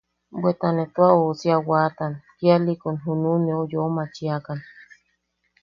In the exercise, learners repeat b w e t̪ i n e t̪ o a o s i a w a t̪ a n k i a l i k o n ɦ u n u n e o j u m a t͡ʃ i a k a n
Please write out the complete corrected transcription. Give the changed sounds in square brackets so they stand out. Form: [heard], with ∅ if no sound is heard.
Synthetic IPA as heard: b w e t̪ [a] n e t̪ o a o s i a w a t̪ a n k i a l i k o n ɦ u n u n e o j [o] m a t͡ʃ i a k a n